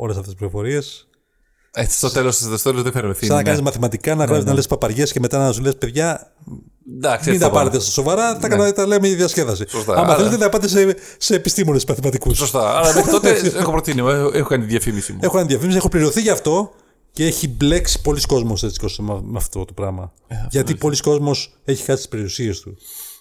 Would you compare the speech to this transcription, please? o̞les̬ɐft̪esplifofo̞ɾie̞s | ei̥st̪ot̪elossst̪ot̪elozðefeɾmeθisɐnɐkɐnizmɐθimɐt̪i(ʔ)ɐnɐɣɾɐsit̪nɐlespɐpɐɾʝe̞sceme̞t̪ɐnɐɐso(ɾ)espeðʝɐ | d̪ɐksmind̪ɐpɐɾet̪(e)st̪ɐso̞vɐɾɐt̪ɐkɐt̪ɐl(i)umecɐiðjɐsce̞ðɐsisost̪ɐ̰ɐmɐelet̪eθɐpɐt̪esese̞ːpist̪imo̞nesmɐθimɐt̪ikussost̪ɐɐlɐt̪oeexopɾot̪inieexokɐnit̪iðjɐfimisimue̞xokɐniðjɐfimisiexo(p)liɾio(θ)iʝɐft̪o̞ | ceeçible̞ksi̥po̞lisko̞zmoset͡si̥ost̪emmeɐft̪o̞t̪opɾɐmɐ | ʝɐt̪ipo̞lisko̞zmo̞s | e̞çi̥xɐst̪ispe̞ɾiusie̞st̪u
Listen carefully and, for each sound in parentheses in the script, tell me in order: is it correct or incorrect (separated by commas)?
incorrect, incorrect, correct, incorrect, correct, correct